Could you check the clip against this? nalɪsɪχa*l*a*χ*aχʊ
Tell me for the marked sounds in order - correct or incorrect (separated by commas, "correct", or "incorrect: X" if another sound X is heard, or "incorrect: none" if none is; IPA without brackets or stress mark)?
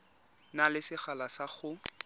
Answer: correct, incorrect: s